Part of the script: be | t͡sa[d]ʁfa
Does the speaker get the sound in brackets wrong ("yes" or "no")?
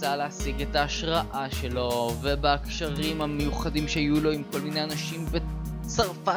yes